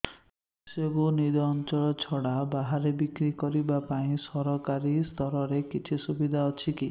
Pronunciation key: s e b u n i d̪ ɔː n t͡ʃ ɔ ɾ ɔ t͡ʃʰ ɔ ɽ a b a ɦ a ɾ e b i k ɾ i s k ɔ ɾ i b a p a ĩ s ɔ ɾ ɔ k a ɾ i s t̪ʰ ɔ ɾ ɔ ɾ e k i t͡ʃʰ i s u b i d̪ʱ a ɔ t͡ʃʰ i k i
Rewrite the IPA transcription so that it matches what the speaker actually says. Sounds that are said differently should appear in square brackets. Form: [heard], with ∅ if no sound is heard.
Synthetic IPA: s e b u n i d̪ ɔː n t͡ʃ ɔ [ɭ] ɔ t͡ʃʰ ɔ ɽ a b a ɦ a ɾ e b i k ɾ i [∅] k ɔ ɾ i b a p a ĩ s ɔ ɾ ɔ k a ɾ i s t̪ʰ ɔ ɾ ɔ ɾ e k i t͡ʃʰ i s u b i d̪ʱ a ɔ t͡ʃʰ i k i